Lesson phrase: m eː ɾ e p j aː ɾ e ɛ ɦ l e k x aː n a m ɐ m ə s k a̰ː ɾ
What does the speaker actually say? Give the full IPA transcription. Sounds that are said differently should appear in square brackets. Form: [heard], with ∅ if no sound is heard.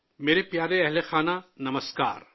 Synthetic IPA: m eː ɾ e p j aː ɾ e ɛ ɦ l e [∅] x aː n a [n] ɐ m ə s k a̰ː ɾ